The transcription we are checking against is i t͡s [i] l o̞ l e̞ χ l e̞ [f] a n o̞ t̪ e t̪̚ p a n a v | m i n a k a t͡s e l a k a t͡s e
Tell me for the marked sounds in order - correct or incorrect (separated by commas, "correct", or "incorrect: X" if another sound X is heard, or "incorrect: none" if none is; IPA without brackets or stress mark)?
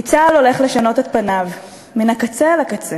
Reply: incorrect: a, incorrect: ʃ